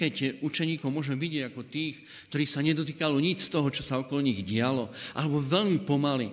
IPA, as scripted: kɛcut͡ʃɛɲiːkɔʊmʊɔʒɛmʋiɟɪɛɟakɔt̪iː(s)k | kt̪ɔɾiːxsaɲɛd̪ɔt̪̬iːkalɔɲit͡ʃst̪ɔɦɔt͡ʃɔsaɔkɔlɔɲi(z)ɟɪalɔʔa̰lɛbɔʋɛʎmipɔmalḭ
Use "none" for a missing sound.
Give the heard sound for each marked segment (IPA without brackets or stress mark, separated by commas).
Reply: x, ɣ